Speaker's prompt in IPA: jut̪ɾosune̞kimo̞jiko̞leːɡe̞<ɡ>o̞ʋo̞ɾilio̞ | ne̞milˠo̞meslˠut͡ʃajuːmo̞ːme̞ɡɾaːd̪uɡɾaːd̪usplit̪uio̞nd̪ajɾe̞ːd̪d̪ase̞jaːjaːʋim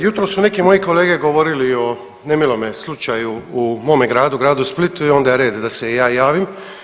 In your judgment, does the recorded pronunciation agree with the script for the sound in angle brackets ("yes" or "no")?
yes